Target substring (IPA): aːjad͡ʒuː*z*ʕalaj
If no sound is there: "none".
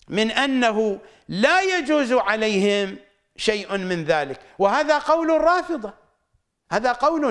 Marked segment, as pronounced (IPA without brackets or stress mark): z